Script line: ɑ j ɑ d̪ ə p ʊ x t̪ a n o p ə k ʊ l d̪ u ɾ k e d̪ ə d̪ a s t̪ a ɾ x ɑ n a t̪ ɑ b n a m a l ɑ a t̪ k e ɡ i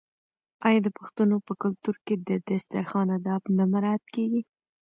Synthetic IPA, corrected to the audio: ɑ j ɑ d̪ ə p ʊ x t̪ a n o p ə k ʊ l t̪ u ɾ k e d̪ ə d̪ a s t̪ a ɾ x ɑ n a d̪ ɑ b n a m a ɾ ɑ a t̪ k e ɡ i